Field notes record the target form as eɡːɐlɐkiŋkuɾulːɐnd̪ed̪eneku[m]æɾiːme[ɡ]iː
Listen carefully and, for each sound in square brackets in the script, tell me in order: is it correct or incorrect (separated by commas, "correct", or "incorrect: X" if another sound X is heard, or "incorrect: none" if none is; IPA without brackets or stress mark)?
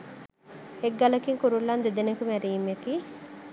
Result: correct, incorrect: k